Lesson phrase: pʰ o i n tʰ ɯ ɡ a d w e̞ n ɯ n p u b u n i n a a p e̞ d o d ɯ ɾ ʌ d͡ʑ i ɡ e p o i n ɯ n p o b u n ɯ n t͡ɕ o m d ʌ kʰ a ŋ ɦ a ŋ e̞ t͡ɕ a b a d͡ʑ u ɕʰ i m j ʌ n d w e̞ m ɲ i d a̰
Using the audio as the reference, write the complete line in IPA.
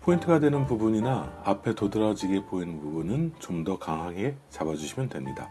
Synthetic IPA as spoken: pʰ o i n tʰ ɯ ɡ a d w e̞ n ɯ n p u b u ɲ i n a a pʰ e̞ t o d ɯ ɾ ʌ d͡ʑ i ɡ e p o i n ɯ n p u b u n ɯ n t͡ɕ o m d ʌ k a ŋ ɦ a ŋ e̞ t͡ɕ a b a d͡ʑ u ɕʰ i m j ʌ n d w e̞ m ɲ i d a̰